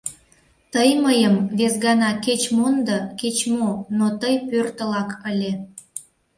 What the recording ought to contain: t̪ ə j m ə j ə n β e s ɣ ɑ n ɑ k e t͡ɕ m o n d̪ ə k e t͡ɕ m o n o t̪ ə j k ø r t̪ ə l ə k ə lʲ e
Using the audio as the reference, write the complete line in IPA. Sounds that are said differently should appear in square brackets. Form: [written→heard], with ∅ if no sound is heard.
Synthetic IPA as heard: t̪ ə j m ə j ə [n→m] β e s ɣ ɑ n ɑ k e t͡ɕ m o n d̪ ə k e t͡ɕ m o n o t̪ ə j [k→p] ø r t̪ ə l [ə→ɑ] k ə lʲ e